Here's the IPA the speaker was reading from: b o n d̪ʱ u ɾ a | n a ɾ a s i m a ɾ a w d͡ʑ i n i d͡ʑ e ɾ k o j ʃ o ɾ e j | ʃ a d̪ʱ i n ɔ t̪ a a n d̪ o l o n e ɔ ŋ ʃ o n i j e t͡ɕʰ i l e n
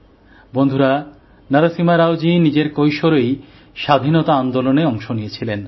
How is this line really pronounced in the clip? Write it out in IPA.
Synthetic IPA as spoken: b o n d̪ʱ u ɾ a | n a ɾ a s i m a ɾ a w d͡ʑ i n i d͡ʑ e ɾ k o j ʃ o ɾ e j | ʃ a d̪ʱ i n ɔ t̪ a a n d̪ o l o n e ɔ ŋ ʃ o n i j e t͡ɕʰ i l e n